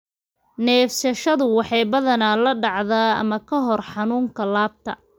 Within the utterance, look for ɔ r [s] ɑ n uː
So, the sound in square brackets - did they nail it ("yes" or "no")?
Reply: no